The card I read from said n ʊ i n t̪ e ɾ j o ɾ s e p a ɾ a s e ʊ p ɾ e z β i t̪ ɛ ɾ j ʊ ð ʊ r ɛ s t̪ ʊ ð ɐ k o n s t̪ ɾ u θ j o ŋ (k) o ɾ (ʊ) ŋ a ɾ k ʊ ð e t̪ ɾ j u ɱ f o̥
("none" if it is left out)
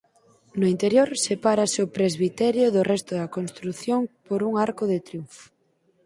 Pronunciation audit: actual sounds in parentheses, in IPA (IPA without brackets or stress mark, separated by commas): p, u